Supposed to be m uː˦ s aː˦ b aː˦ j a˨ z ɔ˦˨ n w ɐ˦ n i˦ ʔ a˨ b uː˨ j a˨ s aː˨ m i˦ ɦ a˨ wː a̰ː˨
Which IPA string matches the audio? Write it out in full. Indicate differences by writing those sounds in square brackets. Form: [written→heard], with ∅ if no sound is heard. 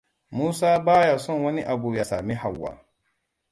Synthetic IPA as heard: m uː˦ s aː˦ b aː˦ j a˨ [z→s] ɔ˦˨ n w ɐ˦ n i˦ ʔ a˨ b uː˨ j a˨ s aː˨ m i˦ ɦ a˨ wː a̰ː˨